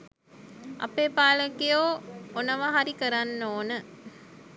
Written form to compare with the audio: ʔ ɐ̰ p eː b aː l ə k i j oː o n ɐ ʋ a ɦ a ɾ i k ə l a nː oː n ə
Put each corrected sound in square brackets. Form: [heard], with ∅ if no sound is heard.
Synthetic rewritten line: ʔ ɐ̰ p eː [p] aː l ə k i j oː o n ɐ ʋ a ɦ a ɾ i k ə [ɾ] a nː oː n ə

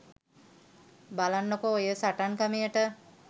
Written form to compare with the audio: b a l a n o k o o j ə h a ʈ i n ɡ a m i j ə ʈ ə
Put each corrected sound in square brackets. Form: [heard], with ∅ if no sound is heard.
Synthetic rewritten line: b a l a [nː] o k o o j ə [s] a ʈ [a] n [k] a m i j ə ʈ ə

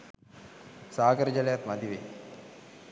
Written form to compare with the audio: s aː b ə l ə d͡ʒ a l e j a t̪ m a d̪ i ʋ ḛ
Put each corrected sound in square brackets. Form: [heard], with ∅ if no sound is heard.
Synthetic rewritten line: s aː [ɡ] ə [ɾ] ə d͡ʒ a l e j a t̪ m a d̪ i ʋ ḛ

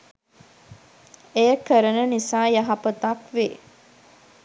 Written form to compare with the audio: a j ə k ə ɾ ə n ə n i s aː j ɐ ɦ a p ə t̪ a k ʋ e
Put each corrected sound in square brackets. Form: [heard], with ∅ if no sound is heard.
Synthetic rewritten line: [e] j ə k ə ɾ ə n ə n i s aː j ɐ ɦ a p ə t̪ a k ʋ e

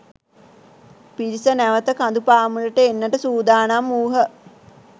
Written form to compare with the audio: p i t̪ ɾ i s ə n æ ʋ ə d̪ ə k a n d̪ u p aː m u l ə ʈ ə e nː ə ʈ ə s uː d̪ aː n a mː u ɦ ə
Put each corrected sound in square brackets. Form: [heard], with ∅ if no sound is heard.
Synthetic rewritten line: p i [∅] ɾ i s ə n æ ʋ ə [t̪] ə k a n d̪ u p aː m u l ə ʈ ə e nː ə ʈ ə s uː d̪ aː n a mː [uː] ɦ ə

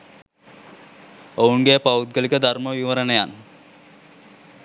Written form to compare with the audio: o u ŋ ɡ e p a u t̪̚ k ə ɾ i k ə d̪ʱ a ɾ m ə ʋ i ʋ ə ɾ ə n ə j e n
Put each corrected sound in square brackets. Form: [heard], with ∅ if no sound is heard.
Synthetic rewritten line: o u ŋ ɡ e p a u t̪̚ [ɡ] ə [l] i k ə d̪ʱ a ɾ m ə ʋ i ʋ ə ɾ ə n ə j [a] n

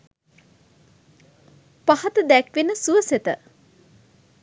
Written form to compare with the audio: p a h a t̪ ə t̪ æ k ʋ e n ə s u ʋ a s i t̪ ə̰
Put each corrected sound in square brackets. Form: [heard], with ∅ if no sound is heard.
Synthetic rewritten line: p a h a t̪ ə [d̪] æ k ʋ e n ə s u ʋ [ə] s [e] t̪ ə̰

